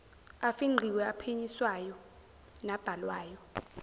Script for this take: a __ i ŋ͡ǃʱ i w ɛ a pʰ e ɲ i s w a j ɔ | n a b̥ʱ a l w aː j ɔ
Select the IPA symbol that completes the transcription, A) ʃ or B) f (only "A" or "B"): B